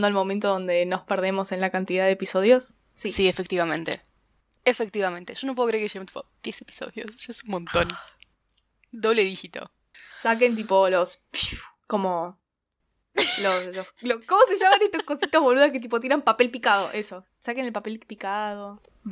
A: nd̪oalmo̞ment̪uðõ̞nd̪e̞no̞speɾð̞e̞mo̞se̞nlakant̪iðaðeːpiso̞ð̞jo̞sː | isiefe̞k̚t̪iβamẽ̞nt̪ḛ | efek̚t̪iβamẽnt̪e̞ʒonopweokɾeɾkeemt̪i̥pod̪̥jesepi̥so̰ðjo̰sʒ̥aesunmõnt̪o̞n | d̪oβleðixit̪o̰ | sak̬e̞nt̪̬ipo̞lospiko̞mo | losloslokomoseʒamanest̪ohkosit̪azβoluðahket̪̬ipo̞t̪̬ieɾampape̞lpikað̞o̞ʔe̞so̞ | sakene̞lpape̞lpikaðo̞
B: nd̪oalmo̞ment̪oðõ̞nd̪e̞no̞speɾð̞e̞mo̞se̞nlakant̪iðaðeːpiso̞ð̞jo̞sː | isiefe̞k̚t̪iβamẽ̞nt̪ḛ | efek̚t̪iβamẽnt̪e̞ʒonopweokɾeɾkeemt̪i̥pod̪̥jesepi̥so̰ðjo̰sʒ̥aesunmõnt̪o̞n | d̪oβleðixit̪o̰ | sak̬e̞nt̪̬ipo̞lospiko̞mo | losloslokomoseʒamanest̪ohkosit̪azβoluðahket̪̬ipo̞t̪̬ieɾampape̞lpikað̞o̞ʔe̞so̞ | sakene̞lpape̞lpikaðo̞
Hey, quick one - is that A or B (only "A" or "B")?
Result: B